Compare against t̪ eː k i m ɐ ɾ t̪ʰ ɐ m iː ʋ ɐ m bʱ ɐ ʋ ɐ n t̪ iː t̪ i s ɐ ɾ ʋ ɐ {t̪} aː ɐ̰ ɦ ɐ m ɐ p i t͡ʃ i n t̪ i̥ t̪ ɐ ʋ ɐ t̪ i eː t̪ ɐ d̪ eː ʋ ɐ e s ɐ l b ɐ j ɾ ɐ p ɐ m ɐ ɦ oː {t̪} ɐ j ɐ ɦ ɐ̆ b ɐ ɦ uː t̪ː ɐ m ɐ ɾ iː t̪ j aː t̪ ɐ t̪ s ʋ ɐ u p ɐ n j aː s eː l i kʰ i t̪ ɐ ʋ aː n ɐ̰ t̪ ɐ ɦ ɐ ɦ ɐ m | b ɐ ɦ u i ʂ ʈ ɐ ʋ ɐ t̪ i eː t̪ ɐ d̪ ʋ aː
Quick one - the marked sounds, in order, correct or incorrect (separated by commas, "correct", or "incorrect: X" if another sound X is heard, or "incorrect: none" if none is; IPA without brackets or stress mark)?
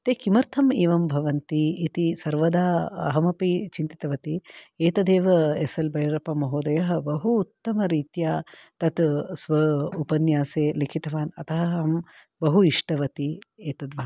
incorrect: d̪, incorrect: d̪